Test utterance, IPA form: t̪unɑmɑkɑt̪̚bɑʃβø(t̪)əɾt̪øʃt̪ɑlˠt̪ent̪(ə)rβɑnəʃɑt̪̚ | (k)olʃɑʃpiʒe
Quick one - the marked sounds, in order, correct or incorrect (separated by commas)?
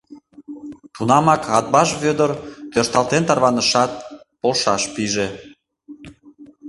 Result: incorrect, incorrect, incorrect